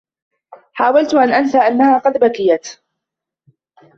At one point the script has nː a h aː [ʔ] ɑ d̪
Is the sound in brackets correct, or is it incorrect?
incorrect